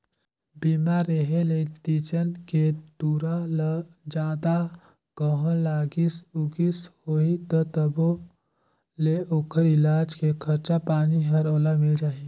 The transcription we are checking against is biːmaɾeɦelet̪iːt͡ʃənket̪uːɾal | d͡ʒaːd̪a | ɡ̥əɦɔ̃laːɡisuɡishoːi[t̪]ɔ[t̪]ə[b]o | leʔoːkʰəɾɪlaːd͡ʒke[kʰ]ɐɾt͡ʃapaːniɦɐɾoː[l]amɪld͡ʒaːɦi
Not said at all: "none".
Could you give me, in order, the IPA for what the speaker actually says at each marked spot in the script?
t̪, t̪, b, kʰ, l

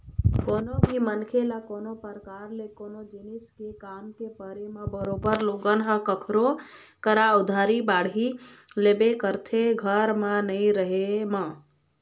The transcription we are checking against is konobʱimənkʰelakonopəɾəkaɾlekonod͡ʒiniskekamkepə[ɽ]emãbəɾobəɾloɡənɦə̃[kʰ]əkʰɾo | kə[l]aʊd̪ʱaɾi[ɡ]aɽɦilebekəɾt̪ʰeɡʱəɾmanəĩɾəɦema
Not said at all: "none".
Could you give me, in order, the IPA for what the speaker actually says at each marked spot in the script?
ɾ, k, ɾ, b

